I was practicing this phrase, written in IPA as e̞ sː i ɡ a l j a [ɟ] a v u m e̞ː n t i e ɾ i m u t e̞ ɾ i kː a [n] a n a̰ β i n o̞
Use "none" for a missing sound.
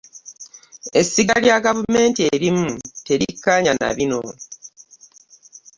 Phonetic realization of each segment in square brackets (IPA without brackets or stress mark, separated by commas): ɡ, ɲ